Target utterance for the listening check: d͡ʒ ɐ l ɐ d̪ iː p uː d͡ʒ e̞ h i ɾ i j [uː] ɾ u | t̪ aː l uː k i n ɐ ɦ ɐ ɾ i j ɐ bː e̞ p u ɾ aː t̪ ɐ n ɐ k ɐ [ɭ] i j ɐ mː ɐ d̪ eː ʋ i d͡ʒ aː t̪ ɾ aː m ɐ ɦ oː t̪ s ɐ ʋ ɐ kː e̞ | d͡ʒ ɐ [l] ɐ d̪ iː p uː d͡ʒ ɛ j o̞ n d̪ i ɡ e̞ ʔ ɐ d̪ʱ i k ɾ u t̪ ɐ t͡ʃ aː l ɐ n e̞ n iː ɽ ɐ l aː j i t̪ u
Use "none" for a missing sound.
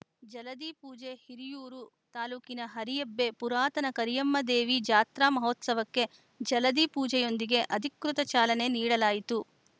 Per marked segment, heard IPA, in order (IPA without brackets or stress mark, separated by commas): uː, ɾ, l